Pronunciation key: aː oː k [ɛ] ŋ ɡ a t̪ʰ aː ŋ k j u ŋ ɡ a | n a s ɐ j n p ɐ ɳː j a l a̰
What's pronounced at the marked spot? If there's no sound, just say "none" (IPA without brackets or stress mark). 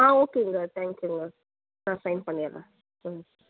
e